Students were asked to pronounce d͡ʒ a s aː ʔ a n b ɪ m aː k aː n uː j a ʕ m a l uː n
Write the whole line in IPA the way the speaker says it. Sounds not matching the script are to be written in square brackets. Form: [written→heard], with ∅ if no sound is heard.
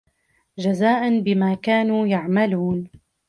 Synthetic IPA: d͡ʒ a [s→z] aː ʔ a n b ɪ m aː k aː n uː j a ʕ m a l uː n